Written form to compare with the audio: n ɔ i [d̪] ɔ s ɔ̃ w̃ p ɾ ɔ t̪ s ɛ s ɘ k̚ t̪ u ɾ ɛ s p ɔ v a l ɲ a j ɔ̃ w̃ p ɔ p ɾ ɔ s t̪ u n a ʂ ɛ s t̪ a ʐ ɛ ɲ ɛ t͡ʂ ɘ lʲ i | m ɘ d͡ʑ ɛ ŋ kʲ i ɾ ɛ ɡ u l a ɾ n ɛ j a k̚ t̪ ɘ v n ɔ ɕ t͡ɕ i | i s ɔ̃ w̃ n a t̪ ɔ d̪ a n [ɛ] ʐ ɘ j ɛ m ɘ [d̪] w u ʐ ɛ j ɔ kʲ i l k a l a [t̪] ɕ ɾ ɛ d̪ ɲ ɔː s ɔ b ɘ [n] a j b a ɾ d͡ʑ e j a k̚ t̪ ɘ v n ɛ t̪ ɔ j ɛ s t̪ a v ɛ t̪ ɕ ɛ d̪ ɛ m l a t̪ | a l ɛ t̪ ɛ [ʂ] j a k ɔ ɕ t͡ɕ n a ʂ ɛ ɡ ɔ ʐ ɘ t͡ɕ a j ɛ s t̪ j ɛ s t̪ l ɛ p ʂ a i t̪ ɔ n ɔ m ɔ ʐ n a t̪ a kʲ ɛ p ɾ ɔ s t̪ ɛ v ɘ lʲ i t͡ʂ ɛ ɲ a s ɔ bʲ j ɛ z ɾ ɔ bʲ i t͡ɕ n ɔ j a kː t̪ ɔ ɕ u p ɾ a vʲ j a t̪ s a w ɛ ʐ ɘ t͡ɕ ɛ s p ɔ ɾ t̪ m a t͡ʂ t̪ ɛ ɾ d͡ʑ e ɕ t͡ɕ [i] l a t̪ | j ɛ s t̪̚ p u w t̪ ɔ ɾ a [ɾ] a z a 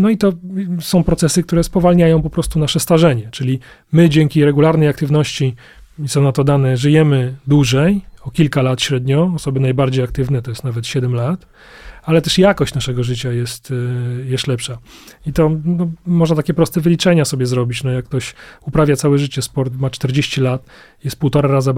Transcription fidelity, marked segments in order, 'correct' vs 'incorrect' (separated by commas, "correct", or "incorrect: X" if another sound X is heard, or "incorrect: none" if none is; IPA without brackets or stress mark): incorrect: t̪, correct, correct, correct, correct, correct, correct, correct